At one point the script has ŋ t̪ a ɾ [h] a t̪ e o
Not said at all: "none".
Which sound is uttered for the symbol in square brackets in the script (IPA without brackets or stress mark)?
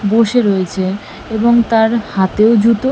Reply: h